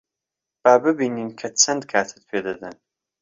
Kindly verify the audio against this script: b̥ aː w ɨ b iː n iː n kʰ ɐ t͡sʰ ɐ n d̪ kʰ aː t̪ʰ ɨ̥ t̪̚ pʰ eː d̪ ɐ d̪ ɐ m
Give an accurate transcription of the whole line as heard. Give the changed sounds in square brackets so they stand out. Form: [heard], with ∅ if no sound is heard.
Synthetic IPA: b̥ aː [b] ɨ b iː n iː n kʰ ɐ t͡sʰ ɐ n d̪ kʰ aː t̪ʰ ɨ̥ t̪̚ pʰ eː d̪ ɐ d̪ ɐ [n]